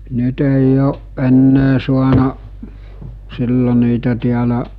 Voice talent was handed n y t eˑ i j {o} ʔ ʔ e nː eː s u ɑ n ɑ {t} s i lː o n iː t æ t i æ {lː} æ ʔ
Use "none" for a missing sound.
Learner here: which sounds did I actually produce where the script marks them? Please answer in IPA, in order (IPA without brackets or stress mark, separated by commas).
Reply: oː, ʔ, l